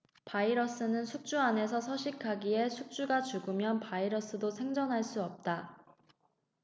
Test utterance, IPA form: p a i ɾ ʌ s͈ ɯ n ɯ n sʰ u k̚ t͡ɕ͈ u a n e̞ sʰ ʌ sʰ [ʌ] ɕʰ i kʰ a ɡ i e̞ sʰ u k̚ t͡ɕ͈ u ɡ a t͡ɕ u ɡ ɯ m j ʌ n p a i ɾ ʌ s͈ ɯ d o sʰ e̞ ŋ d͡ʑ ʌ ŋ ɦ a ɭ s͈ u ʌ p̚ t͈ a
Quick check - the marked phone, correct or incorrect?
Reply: correct